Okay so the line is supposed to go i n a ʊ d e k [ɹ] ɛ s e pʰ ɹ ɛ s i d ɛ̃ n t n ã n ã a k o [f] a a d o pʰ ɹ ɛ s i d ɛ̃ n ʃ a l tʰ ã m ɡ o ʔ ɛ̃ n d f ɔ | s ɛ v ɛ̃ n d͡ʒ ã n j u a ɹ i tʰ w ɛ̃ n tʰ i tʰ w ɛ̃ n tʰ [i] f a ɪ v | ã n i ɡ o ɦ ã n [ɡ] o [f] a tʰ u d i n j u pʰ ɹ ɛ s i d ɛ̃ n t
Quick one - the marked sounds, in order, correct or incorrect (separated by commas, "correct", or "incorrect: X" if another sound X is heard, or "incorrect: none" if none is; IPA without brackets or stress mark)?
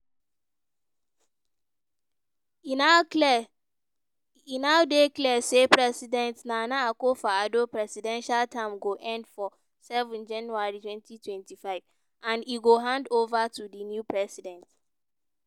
incorrect: l, correct, correct, incorrect: d, incorrect: v